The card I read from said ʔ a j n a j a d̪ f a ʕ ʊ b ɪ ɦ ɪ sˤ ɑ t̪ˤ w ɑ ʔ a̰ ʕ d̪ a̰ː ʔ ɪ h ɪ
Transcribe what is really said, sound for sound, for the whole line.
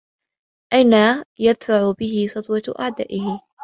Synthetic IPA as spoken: ʔ a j n a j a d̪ f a ʕ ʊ b ɪ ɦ ɪ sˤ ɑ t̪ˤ w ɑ ʔ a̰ ʕ d̪ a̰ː ʔ ɪ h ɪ